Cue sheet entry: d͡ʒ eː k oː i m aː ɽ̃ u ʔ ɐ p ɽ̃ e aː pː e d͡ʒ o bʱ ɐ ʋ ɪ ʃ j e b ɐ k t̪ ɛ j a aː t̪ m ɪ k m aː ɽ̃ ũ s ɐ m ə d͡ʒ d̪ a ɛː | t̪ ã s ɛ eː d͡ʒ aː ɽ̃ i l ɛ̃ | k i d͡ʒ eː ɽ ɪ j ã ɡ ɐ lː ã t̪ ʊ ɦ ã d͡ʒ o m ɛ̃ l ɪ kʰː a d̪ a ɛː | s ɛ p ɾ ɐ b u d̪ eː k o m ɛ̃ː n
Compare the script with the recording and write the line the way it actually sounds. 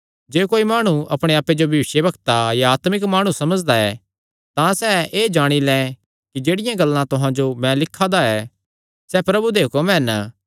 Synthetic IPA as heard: d͡ʒ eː k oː i m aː ɽ̃ u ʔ ɐ p ɽ̃ e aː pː e d͡ʒ o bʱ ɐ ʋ ɪ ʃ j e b ɐ k t̪ a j a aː t̪ m ɪ k m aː ɽ̃ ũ s ɐ m ə d͡ʒ d̪ a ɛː | t̪ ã s ɛ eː d͡ʒ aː ɽ̃ i l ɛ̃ | k i d͡ʒ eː ɽ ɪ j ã ɡ ɐ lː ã t̪ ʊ ɦ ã d͡ʒ o m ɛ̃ l ɪ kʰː a d̪ a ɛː | s ɛ p ɾ ɐ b u d̪ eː k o m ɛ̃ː n